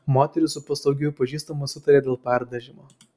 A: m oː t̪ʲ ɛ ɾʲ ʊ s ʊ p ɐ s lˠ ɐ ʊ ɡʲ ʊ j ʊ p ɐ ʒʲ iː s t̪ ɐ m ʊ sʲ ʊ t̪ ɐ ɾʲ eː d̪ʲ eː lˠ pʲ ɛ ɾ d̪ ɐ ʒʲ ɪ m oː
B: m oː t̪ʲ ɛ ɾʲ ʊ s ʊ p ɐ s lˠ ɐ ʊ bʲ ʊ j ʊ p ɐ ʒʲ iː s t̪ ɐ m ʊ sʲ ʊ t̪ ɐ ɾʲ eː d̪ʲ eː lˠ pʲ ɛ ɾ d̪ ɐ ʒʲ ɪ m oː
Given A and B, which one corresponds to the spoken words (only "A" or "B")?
A